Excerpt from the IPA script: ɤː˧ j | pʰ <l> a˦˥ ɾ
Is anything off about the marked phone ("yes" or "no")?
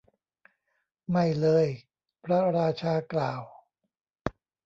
yes